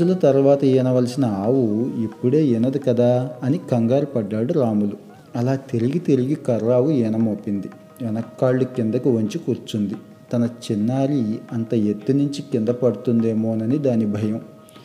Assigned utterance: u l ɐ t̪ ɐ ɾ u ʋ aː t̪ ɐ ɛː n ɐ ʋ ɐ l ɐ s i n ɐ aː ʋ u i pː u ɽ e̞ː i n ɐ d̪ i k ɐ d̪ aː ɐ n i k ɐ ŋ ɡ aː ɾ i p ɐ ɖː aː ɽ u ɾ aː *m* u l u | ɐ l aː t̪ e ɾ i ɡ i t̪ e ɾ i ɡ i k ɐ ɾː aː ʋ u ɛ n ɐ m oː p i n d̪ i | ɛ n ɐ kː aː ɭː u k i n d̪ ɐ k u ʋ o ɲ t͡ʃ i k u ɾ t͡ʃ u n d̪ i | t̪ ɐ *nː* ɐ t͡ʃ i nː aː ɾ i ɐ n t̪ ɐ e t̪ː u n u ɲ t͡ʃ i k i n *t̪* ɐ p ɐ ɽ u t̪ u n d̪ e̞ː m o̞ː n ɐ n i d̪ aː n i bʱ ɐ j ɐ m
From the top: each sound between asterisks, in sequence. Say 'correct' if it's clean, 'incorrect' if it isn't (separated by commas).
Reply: correct, incorrect, incorrect